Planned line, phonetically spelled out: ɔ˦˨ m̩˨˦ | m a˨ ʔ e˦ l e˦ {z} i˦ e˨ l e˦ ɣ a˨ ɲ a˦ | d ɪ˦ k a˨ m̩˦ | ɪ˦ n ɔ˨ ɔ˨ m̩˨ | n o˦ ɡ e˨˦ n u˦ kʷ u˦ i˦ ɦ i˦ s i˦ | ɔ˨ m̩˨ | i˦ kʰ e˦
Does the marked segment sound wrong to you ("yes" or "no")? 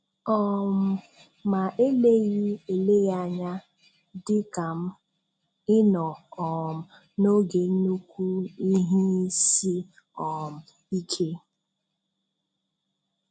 yes